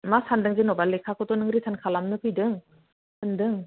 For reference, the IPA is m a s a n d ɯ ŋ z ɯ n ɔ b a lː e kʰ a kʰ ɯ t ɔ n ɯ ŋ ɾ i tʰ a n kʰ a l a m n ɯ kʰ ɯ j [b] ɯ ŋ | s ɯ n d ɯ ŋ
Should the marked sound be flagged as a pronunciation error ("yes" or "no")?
yes